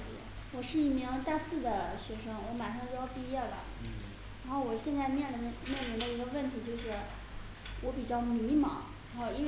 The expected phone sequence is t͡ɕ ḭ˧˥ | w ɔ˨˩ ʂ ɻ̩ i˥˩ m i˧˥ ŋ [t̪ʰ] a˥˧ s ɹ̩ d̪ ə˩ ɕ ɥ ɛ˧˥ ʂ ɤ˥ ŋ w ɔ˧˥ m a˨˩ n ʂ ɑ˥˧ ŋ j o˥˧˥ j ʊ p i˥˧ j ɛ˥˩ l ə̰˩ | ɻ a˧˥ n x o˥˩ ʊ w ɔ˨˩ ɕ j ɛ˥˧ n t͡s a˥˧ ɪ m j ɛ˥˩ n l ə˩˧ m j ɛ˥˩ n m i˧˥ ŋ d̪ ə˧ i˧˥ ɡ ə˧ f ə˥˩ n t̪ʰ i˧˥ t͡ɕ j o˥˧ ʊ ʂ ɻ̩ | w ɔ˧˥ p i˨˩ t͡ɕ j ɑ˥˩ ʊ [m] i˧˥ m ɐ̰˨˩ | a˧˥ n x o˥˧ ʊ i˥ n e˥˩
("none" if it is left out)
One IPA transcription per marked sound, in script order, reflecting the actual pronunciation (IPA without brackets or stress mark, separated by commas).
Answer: t̪, m